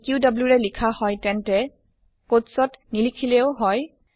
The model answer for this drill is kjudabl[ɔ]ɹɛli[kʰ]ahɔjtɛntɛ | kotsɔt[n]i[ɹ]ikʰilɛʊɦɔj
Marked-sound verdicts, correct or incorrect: incorrect: u, correct, correct, incorrect: l

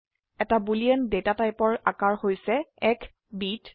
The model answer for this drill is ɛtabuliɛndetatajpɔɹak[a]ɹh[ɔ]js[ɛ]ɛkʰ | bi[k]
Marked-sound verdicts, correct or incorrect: correct, incorrect: o, correct, incorrect: t

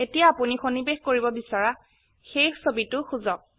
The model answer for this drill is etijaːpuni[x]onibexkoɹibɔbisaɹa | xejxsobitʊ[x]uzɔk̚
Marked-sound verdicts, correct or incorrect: correct, correct

